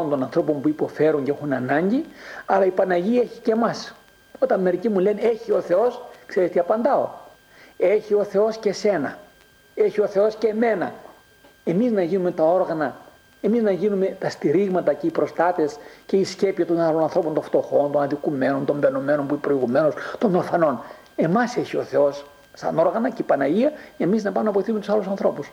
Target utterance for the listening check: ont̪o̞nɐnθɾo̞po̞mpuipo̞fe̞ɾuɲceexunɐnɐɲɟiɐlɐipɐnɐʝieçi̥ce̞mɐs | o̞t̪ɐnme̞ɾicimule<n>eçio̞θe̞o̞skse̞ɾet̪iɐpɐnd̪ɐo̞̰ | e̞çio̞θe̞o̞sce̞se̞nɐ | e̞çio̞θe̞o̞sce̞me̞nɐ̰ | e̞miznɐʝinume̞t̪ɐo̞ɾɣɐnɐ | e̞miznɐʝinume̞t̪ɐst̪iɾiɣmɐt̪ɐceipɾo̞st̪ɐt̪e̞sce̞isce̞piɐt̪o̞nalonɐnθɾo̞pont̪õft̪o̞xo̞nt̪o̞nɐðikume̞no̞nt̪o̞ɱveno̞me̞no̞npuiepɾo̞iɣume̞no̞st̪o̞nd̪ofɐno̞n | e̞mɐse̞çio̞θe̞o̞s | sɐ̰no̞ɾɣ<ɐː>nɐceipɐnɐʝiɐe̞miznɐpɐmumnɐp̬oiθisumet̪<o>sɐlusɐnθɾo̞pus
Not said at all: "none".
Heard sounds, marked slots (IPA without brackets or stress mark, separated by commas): n, ɐ, u